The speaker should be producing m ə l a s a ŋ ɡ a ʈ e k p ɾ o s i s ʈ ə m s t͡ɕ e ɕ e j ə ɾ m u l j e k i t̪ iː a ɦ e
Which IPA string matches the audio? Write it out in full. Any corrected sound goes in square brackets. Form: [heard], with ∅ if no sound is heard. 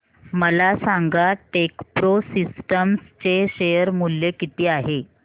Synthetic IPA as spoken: m ə l a s a ŋ ɡ a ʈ e k p ɾ o s i s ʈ ə m s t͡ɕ e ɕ e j ə ɾ m u l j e k i t̪ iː a ɦ e